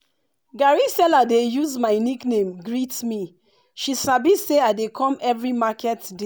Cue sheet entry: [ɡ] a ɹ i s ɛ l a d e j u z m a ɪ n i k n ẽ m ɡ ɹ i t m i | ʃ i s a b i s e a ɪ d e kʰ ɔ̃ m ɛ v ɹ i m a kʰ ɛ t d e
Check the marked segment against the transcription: correct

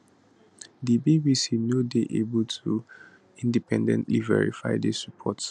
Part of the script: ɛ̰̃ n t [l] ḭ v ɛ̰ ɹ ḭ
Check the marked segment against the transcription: correct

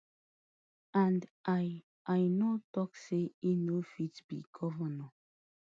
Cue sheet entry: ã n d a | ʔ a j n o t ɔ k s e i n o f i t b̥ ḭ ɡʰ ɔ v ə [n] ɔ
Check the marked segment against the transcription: correct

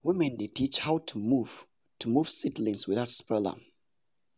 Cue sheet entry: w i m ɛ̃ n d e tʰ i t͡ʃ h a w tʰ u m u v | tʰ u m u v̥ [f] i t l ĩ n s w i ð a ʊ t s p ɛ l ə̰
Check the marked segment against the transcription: incorrect: s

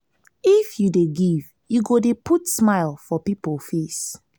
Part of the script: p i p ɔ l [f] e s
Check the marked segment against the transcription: correct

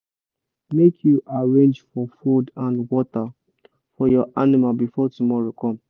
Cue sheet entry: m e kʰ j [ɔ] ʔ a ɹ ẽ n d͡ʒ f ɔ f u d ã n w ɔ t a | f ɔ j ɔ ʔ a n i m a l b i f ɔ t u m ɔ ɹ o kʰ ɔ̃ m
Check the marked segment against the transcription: incorrect: u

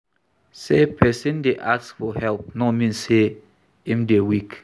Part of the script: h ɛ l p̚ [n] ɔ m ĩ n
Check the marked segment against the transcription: correct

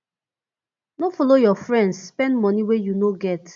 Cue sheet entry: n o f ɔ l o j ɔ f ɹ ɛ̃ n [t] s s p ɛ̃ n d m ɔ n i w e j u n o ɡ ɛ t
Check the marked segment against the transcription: incorrect: d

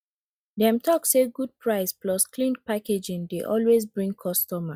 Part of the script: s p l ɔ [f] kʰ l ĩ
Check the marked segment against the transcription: incorrect: s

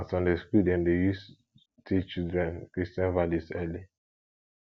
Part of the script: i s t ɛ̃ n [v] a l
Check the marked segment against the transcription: correct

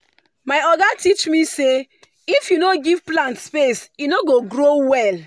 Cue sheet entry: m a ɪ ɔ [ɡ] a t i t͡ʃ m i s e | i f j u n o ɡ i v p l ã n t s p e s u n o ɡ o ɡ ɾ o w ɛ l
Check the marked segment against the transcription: correct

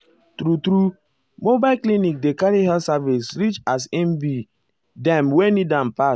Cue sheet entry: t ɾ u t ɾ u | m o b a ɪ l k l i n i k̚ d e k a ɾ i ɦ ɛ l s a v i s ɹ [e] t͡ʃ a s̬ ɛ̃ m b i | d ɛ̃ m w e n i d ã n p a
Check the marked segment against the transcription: incorrect: i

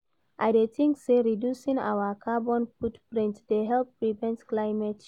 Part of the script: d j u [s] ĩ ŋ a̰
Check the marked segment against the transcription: correct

